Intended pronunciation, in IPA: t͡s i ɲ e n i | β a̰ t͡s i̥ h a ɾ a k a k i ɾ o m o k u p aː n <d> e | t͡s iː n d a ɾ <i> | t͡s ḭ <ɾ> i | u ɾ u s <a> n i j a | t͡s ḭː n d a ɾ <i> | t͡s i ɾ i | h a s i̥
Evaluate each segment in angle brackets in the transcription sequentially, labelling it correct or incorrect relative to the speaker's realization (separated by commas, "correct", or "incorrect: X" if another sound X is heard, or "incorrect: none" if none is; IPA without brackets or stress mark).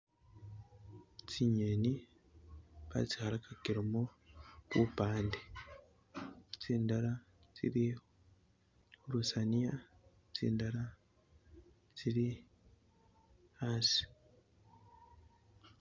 correct, incorrect: a, correct, correct, incorrect: a